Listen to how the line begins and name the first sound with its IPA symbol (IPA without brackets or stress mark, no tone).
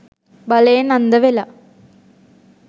b